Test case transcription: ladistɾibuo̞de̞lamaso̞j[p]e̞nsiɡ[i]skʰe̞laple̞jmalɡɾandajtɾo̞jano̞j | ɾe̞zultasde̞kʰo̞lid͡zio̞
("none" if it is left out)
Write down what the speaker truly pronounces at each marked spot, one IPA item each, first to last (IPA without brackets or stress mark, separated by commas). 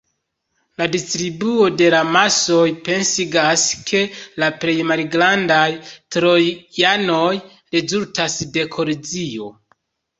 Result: p, a